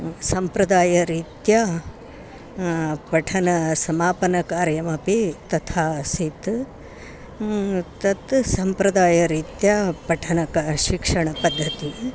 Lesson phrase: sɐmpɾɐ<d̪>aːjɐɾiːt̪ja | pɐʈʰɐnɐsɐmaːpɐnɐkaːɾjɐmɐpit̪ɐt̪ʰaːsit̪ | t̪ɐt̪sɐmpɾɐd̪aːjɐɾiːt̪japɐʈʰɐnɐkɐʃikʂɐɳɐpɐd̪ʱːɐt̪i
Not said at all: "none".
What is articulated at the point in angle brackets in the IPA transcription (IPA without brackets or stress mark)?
d̪